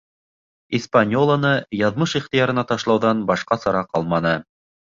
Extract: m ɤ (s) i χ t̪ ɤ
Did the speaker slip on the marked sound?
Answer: yes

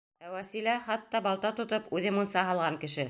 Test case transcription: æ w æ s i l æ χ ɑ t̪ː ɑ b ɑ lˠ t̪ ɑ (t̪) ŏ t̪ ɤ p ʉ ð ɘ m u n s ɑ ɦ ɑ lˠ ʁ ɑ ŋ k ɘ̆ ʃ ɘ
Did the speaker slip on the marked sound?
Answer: no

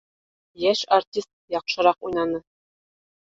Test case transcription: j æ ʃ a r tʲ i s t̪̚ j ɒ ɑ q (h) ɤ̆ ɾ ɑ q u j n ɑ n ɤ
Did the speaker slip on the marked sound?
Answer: yes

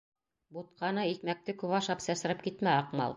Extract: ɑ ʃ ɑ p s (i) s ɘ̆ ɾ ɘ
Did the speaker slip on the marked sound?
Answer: yes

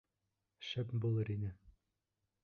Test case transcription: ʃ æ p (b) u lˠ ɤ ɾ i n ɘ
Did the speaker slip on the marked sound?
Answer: no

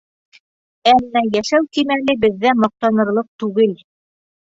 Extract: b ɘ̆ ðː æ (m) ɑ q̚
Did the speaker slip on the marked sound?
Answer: no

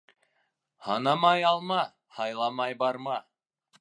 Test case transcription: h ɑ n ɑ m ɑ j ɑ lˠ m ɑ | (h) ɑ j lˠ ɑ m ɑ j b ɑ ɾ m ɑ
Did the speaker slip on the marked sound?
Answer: no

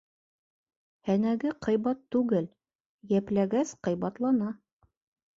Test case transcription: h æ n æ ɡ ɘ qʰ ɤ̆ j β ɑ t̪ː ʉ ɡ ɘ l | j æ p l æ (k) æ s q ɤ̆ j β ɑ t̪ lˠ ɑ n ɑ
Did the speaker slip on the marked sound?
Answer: yes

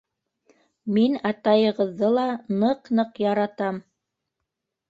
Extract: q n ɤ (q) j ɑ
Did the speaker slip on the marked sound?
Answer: no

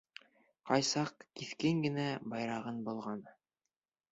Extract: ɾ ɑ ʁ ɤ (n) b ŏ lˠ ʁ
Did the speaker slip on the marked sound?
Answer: no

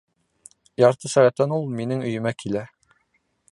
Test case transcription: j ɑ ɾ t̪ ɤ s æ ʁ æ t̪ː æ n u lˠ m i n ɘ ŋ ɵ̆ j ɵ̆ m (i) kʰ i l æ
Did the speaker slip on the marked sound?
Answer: yes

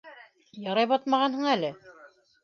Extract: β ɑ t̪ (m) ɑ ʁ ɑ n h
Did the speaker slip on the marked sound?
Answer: no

